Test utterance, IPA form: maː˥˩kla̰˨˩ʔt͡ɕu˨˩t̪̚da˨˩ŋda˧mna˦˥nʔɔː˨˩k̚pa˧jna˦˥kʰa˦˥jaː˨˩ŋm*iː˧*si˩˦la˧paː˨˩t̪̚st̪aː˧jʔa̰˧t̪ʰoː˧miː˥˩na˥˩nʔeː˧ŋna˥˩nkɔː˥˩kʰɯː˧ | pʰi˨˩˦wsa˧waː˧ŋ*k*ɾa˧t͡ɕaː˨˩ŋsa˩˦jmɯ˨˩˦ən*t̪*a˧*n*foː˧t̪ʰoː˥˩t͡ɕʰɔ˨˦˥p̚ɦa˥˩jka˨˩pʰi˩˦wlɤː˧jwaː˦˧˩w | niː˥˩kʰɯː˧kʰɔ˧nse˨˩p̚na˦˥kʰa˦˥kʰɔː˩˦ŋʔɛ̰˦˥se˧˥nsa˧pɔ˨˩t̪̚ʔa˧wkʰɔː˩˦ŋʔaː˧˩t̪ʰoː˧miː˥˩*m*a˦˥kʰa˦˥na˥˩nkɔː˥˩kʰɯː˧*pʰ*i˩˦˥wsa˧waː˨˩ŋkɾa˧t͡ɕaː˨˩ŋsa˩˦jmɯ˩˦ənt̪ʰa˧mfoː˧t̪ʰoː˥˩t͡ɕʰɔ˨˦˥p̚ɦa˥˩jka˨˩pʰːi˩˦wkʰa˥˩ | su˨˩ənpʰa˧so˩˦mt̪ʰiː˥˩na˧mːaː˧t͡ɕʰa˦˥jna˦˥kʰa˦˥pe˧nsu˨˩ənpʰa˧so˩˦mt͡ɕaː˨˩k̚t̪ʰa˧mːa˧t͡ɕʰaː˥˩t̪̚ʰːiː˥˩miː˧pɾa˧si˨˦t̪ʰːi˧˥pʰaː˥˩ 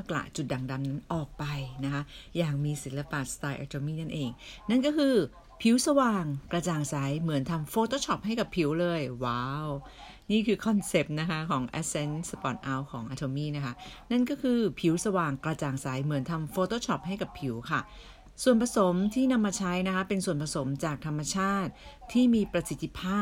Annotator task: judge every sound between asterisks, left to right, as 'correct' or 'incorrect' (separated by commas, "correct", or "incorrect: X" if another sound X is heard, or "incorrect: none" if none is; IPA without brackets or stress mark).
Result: correct, correct, incorrect: t̪ʰ, incorrect: m, incorrect: n, correct